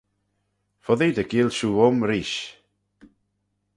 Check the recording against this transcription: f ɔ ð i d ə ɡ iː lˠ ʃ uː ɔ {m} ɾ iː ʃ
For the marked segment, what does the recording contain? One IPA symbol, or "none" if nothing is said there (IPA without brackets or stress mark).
m